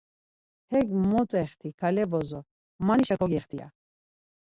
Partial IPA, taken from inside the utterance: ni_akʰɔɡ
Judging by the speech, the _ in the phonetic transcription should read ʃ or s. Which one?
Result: ʃ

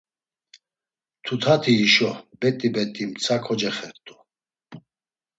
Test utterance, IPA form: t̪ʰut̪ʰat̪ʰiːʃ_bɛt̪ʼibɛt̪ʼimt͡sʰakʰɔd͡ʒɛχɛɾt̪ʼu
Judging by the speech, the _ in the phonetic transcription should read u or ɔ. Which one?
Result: ɔ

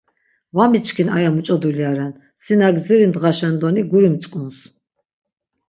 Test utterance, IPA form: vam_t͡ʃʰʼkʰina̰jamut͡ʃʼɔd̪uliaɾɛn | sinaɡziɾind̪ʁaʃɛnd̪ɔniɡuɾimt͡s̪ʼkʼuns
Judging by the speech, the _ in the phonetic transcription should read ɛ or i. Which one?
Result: i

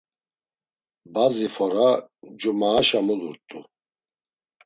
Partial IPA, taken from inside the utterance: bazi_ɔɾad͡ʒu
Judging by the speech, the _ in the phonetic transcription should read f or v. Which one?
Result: f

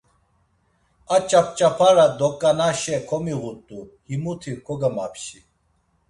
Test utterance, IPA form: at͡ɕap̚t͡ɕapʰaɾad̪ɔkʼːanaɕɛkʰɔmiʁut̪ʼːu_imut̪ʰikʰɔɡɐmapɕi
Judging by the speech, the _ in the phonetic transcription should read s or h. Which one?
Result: h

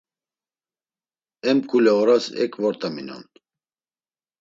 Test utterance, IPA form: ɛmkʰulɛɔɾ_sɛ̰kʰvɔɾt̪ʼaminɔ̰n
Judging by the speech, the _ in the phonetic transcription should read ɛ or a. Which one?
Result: a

